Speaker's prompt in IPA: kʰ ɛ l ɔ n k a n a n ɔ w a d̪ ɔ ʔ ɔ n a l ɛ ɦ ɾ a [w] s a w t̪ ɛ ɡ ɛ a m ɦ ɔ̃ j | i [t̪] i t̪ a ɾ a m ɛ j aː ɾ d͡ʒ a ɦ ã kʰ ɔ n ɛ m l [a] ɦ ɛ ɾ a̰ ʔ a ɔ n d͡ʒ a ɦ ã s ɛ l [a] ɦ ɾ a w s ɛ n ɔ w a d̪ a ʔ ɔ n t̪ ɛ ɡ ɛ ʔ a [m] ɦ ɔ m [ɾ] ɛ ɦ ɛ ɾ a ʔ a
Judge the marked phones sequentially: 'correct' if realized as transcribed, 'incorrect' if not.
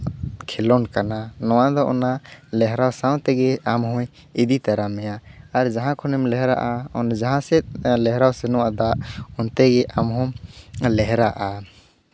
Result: correct, incorrect, incorrect, incorrect, correct, incorrect

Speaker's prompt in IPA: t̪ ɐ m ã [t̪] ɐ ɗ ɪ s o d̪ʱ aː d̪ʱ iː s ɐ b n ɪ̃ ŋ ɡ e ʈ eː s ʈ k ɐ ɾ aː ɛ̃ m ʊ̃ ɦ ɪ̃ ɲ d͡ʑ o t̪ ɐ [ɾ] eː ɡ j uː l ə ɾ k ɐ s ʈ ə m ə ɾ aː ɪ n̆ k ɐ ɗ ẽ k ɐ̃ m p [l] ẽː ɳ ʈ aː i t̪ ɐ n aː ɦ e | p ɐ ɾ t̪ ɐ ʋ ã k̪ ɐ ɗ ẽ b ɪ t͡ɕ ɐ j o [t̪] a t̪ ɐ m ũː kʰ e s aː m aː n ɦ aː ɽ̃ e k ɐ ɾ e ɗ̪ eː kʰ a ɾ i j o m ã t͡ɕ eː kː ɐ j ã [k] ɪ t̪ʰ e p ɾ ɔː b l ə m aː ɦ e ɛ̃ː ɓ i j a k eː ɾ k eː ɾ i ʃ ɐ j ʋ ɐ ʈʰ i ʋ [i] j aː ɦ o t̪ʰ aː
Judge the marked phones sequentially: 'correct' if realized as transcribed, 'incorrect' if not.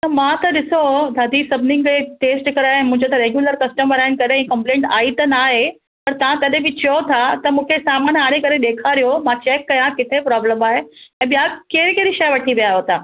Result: correct, correct, correct, incorrect, correct, correct

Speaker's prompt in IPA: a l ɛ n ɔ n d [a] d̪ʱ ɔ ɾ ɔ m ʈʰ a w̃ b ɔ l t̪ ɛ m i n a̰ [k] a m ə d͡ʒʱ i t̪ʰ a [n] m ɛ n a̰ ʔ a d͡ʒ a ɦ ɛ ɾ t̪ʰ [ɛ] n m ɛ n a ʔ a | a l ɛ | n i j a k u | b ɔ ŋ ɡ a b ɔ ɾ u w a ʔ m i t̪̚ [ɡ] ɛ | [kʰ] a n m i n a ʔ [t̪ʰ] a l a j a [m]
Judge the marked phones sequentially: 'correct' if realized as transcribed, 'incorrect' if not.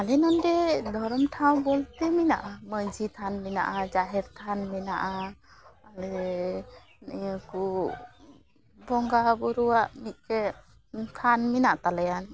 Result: incorrect, incorrect, correct, incorrect, incorrect, correct, incorrect, incorrect

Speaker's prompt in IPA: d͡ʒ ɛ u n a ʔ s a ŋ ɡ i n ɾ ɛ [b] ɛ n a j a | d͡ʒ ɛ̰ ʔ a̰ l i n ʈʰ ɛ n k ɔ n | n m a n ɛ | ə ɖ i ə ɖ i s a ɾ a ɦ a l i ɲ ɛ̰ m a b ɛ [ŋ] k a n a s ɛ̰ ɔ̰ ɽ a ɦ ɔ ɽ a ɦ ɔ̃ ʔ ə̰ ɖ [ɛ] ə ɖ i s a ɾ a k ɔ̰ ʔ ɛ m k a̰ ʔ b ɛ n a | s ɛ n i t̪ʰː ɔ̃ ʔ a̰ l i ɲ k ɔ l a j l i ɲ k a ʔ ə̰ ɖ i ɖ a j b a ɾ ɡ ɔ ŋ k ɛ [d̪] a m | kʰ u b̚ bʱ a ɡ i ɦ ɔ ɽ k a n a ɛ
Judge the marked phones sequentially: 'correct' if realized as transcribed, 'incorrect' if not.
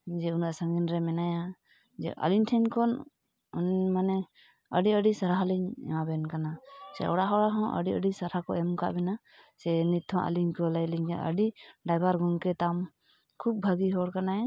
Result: incorrect, incorrect, incorrect, incorrect

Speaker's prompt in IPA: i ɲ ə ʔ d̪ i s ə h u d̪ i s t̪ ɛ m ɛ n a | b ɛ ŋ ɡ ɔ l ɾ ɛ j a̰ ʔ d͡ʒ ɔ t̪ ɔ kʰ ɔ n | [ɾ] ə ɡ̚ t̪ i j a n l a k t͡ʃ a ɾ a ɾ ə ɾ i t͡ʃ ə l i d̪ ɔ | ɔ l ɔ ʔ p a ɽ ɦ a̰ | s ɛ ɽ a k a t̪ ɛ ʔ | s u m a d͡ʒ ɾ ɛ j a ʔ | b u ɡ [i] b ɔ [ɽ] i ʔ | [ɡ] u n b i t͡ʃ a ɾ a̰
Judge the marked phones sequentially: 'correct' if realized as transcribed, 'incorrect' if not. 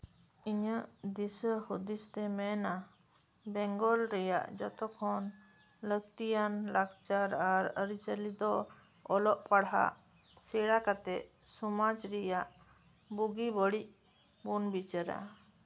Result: incorrect, correct, correct, incorrect

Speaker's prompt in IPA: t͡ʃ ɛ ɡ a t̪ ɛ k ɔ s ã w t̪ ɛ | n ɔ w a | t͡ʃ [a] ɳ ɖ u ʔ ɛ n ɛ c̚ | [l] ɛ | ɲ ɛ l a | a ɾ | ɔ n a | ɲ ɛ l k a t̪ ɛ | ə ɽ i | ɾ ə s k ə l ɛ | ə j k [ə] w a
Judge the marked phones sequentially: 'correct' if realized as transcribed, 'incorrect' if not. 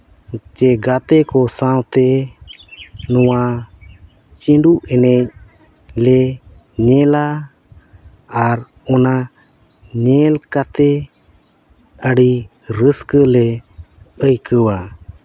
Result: incorrect, correct, correct

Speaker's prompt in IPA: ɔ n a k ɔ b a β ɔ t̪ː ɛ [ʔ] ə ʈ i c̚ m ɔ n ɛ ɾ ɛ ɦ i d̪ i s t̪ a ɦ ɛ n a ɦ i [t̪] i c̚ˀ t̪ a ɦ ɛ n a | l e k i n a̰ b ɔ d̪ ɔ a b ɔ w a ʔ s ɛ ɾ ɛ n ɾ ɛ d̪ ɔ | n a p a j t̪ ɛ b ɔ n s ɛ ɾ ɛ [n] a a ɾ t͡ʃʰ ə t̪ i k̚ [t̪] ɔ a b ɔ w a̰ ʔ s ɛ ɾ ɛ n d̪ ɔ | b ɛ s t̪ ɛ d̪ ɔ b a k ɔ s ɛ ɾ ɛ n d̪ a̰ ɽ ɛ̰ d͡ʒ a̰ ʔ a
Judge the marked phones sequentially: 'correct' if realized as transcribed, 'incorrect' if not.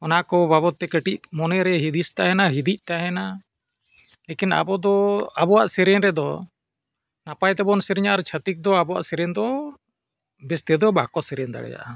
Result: incorrect, incorrect, incorrect, incorrect

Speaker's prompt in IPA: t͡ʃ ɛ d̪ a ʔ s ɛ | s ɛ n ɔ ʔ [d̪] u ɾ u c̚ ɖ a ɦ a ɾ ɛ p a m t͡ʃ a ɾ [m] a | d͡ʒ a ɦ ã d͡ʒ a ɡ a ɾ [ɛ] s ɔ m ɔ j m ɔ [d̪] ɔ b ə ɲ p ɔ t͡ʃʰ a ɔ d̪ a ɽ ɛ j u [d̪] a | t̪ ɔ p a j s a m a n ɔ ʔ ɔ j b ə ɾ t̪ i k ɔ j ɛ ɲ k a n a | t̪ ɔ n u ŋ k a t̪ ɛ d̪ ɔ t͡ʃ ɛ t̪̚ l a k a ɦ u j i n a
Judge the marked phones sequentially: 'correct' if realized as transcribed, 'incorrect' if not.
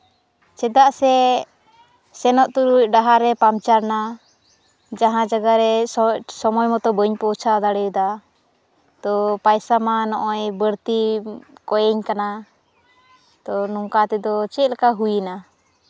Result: incorrect, incorrect, correct, incorrect, correct

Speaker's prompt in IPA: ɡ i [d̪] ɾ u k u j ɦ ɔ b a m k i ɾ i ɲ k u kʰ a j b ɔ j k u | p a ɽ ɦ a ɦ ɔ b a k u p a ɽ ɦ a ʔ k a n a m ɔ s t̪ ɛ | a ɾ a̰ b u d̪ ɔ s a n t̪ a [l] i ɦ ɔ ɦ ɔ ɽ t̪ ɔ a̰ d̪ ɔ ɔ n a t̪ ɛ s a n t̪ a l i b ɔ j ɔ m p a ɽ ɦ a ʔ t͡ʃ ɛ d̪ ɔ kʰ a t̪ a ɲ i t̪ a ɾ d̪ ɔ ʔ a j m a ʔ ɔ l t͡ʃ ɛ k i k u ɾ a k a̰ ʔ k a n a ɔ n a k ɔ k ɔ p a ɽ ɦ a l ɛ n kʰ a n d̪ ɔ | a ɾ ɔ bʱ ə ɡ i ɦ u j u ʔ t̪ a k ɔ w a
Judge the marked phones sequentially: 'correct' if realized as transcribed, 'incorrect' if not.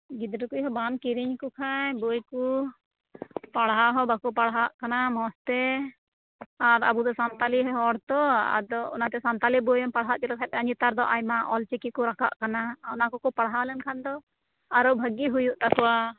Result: correct, correct

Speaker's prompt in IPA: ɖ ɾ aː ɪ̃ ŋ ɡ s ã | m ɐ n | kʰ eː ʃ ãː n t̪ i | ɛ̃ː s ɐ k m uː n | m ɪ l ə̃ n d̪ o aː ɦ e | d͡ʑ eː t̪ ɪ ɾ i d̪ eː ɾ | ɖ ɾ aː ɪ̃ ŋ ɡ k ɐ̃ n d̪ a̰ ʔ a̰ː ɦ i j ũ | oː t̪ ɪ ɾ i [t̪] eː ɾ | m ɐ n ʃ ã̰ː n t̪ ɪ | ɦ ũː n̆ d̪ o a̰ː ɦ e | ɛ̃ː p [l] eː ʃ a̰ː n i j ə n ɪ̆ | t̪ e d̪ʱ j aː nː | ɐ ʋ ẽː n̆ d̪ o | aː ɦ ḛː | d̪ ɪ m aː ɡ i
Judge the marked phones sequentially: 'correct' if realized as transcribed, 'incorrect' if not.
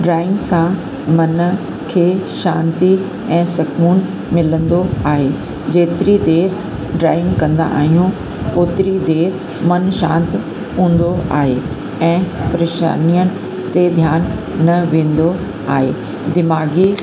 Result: incorrect, incorrect

